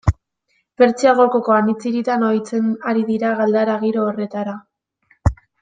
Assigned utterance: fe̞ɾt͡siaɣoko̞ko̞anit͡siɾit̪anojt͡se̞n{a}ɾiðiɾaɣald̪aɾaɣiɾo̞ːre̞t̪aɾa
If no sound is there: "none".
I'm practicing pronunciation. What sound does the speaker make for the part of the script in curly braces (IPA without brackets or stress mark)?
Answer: a